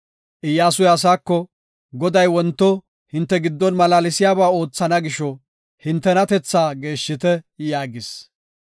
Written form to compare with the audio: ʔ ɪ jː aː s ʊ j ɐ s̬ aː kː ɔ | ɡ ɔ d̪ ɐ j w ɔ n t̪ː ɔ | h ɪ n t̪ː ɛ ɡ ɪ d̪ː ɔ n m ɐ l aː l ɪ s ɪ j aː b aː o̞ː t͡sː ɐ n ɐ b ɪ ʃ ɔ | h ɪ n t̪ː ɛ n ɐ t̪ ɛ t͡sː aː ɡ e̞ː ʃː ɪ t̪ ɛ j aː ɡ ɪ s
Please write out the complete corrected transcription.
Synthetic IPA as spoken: ʔ ɪ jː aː s ʊ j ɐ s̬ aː kː ɔ | ɡ ɔ d̪ ɐ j w ɔ n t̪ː ɔ | h ɪ n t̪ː ɛ ɡ ɪ d̪ː ɔ n m ɐ l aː l ɪ s ɪ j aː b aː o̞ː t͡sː ɐ n ɐ ɡ ɪ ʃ ɔ | h ɪ n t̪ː ɛ n ɐ t̪ ɛ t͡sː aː ɡ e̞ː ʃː ɪ t̪ ɛ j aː ɡ ɪ s